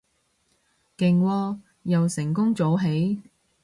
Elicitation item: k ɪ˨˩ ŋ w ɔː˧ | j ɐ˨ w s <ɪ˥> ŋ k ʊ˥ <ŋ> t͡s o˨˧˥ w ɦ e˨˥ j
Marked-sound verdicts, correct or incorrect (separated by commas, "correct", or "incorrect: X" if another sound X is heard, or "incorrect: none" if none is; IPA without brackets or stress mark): incorrect: ɪ˨˩, correct